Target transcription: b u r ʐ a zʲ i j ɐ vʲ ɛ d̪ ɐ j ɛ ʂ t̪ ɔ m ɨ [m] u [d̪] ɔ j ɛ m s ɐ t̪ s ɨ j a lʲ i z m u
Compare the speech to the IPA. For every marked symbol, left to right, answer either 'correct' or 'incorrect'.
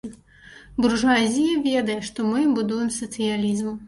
incorrect, correct

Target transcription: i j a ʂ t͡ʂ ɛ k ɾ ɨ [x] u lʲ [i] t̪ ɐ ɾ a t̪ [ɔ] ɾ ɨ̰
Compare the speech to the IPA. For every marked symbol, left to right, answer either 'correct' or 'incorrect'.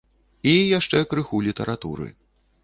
correct, correct, incorrect

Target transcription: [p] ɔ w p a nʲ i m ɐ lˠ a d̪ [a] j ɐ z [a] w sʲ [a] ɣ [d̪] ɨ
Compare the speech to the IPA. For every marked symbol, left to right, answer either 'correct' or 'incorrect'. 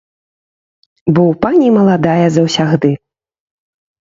incorrect, correct, incorrect, correct, correct

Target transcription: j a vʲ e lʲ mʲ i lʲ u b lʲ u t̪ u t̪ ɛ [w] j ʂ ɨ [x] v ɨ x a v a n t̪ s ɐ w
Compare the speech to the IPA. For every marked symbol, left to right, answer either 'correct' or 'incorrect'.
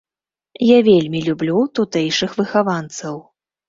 incorrect, correct

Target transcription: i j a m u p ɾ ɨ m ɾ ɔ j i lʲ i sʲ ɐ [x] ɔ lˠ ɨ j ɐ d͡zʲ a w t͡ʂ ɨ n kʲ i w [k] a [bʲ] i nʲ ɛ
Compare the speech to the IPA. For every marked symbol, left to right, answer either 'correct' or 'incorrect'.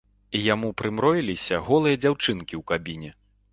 incorrect, correct, correct

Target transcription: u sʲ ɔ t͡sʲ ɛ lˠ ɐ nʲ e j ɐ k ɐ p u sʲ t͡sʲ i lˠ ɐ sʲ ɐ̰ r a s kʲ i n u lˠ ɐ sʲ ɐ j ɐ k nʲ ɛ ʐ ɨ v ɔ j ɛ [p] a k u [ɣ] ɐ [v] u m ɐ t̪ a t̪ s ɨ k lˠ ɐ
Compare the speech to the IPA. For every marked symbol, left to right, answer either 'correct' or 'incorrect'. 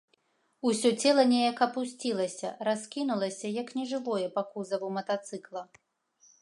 correct, incorrect, correct

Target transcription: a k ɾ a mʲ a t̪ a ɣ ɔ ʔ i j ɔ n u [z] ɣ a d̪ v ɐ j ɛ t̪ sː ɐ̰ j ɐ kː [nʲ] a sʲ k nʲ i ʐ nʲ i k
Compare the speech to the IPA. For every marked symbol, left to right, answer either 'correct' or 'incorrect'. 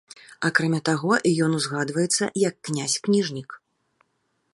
correct, correct

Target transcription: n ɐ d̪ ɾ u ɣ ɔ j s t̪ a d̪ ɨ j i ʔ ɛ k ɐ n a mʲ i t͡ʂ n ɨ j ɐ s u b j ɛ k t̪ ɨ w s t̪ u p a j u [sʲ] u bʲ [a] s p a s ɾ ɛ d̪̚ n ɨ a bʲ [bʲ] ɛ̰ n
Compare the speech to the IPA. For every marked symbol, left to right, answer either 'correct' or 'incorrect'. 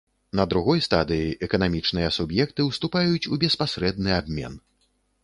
incorrect, incorrect, incorrect

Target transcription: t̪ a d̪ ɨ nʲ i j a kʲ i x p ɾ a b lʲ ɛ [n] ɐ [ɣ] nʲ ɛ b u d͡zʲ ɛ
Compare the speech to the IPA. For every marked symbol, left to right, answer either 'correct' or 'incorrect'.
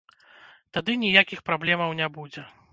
incorrect, incorrect

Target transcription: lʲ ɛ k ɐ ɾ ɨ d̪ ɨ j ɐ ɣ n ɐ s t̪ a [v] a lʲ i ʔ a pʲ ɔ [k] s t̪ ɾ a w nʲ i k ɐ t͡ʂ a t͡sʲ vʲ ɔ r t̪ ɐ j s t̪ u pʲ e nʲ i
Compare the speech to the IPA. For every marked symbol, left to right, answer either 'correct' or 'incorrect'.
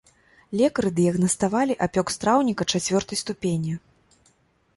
correct, correct

